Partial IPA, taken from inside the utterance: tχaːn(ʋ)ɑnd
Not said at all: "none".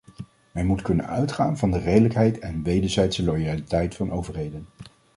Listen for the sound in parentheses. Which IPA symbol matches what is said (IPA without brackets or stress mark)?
v